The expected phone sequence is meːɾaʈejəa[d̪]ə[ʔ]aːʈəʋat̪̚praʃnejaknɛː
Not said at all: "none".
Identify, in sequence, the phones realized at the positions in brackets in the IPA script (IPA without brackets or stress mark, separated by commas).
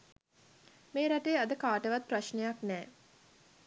d̪, k